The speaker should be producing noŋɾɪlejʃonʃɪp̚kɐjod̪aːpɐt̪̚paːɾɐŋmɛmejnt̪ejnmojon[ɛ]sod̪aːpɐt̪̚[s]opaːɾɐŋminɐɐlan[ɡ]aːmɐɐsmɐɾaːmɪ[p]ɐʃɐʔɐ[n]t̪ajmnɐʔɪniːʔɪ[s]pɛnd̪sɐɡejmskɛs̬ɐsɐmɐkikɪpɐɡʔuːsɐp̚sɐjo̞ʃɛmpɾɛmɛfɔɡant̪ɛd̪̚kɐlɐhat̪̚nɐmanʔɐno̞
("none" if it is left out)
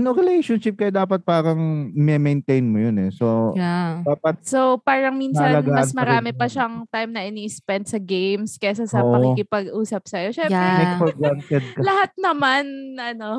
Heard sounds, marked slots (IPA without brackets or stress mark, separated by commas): ɛ, s, ɡ, p, ŋ, s